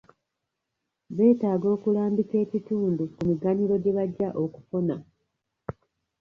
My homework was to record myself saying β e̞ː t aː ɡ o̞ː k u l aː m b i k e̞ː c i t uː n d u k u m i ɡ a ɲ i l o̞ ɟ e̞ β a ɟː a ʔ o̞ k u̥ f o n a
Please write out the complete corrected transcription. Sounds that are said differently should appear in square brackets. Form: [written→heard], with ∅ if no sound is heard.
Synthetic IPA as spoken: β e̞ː t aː ɡ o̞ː k u l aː m b i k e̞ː c i t uː n d u k u m i ɡ a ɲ i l o̞ ɟ e̞ β a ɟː a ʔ o̞ k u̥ f o n a